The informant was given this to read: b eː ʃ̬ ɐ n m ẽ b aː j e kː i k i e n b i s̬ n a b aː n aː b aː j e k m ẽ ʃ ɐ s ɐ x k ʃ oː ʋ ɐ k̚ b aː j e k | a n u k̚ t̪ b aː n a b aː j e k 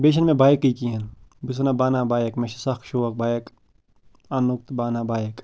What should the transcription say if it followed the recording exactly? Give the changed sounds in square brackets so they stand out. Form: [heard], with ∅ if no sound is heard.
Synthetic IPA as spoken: b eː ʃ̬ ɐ n m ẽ b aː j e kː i k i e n b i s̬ n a b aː n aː b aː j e k m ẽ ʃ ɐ s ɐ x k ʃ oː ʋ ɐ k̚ b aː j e k | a n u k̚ t̪ b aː n a b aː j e k